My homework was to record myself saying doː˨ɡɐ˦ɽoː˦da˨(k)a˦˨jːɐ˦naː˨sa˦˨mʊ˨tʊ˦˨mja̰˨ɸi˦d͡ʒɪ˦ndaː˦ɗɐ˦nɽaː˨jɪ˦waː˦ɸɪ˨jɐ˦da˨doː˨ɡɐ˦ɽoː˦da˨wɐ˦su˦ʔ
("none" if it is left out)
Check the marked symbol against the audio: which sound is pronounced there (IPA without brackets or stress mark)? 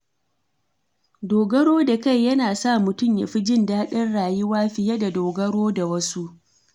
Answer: k